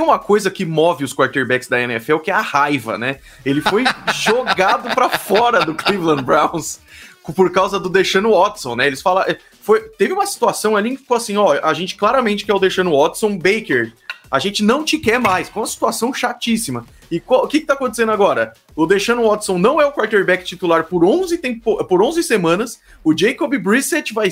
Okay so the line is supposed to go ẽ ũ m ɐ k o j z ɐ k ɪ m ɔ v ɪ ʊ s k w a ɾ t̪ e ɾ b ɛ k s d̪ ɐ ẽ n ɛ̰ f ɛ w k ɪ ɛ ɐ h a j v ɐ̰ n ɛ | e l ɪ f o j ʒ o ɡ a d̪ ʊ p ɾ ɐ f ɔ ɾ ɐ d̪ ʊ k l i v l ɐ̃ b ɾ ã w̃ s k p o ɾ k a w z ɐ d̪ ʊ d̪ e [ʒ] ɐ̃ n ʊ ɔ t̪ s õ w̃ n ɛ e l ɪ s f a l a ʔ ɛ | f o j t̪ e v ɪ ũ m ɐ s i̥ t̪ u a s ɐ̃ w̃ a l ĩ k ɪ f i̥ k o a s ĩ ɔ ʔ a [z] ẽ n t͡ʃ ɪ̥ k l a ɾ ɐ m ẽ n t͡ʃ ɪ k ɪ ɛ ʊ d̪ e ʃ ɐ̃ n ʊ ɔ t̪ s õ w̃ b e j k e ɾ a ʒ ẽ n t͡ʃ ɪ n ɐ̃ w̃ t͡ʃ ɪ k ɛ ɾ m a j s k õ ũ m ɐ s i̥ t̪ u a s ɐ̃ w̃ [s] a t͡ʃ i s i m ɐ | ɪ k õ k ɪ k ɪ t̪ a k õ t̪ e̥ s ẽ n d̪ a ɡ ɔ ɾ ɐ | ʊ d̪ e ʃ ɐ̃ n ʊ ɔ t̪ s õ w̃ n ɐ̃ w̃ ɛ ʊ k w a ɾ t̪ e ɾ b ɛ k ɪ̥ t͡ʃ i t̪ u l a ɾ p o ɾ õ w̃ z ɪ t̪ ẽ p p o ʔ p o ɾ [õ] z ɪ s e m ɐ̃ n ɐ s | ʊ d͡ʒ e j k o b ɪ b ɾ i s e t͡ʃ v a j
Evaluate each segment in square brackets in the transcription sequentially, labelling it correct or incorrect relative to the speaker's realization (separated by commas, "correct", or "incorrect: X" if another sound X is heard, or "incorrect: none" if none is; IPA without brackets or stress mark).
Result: incorrect: ʃ, incorrect: ʒ, incorrect: ʃ, correct